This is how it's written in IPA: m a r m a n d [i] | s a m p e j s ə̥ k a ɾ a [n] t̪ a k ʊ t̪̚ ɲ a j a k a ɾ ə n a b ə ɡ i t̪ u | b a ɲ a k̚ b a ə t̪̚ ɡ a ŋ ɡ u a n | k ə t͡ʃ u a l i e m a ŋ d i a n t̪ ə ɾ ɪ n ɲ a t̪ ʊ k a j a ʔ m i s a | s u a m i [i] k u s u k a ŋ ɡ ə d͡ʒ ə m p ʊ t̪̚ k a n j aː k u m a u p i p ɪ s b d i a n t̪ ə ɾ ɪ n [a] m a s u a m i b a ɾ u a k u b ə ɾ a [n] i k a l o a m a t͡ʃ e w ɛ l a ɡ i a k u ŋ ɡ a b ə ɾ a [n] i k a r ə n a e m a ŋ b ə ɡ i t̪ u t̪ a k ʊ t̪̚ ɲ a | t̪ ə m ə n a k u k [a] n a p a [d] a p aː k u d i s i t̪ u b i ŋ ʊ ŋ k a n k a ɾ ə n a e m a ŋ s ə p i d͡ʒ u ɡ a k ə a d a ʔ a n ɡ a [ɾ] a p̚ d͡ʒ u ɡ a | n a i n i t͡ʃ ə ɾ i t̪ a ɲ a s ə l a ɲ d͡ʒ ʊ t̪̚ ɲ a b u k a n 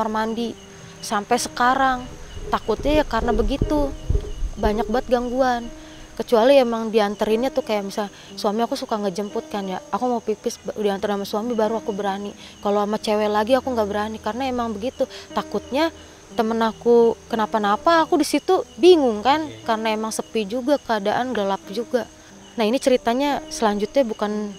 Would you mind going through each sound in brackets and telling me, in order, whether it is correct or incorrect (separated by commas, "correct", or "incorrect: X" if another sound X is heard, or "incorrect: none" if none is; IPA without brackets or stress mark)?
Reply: correct, incorrect: ŋ, incorrect: a, correct, correct, correct, incorrect: ə, incorrect: n, incorrect: l